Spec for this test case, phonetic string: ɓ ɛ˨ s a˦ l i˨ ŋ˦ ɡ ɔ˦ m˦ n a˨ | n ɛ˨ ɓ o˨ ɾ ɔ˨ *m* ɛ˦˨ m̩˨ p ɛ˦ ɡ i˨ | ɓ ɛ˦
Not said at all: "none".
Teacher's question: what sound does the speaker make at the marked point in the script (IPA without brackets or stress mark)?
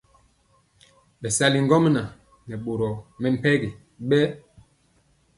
m